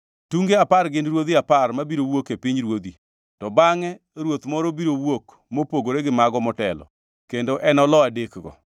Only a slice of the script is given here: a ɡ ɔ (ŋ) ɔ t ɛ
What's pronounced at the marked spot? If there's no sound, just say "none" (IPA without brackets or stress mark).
m